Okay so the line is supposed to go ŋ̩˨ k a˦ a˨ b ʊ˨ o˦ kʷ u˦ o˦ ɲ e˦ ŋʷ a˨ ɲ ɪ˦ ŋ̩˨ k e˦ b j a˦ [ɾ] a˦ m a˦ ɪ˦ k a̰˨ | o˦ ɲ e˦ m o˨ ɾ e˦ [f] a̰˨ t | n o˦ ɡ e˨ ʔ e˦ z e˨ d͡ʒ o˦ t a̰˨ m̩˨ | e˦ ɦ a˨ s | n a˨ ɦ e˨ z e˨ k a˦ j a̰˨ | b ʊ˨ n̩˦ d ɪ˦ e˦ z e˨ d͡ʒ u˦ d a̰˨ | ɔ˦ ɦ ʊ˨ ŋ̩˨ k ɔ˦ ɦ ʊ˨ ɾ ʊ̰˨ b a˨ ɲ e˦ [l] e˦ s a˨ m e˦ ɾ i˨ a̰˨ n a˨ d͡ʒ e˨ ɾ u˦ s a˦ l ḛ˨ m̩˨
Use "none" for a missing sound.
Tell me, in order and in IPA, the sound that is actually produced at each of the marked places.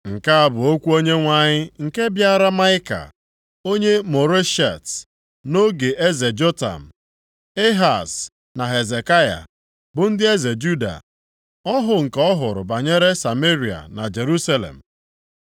ɾ, ʃ, ɾ

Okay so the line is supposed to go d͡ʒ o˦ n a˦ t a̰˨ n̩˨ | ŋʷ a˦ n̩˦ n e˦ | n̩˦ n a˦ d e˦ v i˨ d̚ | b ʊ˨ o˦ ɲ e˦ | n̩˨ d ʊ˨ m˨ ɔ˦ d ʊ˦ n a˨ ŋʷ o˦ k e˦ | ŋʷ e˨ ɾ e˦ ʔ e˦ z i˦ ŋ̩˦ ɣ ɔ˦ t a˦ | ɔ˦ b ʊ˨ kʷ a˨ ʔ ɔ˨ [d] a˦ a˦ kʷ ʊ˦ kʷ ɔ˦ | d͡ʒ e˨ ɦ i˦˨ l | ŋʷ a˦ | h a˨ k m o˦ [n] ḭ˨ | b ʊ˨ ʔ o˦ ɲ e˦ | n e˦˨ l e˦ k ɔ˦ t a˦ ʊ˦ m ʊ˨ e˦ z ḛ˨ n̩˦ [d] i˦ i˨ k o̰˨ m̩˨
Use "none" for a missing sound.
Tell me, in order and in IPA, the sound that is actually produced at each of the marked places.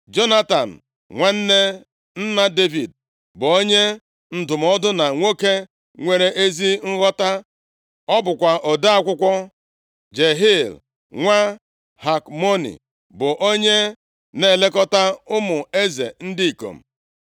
d, n, d

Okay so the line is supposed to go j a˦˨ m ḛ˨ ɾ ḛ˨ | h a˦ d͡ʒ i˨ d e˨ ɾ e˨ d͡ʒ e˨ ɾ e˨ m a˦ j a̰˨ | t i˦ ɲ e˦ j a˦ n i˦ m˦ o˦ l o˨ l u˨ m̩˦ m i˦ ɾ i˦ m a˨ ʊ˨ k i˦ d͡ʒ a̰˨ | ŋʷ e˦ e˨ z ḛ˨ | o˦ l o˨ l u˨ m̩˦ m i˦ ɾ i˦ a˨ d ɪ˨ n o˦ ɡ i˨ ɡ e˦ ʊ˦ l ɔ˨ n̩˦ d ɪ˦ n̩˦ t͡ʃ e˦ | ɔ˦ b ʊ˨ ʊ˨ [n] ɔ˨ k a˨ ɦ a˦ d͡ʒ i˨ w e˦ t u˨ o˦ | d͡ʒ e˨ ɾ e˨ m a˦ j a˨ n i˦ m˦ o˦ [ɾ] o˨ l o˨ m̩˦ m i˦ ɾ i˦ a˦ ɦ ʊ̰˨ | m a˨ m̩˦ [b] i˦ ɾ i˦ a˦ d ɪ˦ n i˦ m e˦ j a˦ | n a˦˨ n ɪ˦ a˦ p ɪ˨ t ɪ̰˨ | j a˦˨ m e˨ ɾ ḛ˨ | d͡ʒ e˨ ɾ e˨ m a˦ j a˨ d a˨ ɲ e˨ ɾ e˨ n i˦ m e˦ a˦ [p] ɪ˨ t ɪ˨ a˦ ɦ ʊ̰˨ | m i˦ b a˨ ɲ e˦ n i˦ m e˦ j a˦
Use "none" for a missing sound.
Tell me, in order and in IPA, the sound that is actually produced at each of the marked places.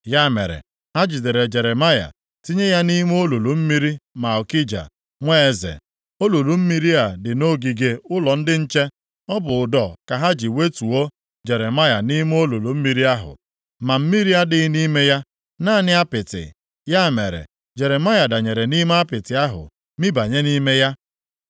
d, l, m, p

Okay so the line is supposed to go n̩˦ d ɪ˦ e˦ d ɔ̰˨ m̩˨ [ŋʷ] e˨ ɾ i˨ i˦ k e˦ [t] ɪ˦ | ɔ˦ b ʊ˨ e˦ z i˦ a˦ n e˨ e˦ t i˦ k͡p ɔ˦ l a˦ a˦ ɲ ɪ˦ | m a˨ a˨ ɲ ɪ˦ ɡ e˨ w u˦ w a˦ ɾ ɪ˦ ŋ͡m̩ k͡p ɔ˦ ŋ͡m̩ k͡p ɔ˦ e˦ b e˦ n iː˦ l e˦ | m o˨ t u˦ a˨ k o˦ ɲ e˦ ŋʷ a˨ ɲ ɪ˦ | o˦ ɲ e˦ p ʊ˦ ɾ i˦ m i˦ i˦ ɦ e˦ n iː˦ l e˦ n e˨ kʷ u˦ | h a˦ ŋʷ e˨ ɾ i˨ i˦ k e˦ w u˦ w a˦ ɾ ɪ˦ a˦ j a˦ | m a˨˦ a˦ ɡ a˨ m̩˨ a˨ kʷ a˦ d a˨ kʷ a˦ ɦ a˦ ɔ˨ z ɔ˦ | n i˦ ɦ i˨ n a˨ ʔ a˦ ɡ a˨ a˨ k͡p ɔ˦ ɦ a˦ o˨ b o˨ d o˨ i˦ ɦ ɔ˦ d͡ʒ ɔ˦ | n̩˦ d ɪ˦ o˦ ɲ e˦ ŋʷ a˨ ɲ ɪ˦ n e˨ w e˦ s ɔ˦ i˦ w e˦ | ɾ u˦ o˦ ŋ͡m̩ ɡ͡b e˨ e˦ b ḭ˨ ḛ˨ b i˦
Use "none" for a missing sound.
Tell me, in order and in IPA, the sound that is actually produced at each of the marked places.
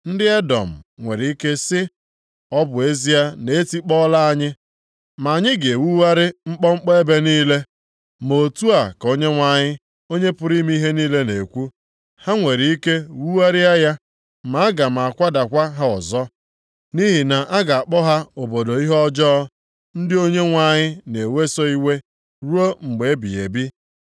ŋʷ, s

